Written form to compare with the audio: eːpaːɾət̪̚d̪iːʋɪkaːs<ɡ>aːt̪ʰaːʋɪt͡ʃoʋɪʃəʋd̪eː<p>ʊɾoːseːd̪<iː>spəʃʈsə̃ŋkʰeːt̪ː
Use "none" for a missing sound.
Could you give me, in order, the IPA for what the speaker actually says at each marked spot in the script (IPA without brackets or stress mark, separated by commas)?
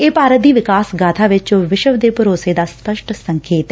ɡ, p, aː